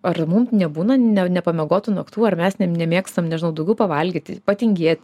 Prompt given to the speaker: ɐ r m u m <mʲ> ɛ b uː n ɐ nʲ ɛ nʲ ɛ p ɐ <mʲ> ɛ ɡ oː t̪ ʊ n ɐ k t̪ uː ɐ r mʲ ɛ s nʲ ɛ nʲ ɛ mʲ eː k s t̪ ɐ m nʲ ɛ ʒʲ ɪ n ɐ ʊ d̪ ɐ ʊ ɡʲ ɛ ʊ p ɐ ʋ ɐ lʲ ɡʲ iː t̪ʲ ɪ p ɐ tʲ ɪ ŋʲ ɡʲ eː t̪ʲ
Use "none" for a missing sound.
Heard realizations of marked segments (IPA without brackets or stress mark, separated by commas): nʲ, mʲ